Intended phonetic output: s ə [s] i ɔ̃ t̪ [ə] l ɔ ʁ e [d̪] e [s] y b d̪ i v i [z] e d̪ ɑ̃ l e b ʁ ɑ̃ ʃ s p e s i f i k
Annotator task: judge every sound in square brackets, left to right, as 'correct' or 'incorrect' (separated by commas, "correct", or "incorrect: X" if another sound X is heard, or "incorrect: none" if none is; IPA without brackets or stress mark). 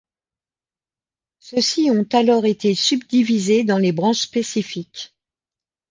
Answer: correct, incorrect: a, incorrect: t̪, correct, correct